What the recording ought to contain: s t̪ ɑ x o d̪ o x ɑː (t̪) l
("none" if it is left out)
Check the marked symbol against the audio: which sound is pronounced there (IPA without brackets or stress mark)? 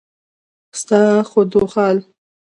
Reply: none